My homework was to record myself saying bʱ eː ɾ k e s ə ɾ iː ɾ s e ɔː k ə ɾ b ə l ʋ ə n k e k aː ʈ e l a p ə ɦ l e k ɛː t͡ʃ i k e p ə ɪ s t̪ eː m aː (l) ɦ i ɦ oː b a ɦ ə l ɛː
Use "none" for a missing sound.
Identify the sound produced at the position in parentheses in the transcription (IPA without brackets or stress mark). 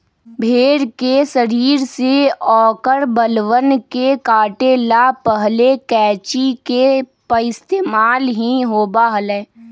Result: l